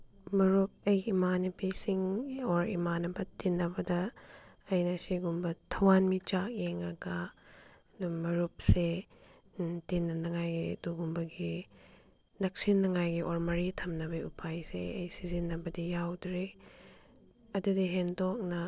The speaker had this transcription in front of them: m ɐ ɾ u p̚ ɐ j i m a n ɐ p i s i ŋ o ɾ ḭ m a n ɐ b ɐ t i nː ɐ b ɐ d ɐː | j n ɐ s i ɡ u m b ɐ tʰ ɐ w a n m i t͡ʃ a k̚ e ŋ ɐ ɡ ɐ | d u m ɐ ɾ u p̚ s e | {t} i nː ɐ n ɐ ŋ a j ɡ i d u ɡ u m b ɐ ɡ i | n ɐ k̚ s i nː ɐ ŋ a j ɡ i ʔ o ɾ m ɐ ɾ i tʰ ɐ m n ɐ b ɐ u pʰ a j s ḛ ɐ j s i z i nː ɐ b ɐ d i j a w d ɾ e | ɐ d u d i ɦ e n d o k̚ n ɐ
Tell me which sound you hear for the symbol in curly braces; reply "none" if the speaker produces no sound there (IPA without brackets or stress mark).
t